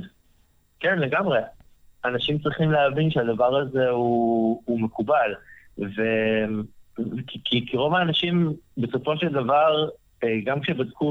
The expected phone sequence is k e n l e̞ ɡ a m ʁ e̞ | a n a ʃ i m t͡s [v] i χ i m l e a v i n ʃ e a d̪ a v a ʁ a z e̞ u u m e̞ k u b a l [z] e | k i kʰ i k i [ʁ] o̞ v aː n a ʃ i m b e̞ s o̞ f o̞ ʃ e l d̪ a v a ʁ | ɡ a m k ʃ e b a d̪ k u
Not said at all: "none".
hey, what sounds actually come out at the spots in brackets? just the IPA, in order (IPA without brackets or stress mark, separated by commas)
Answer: ʁ, v, ʁ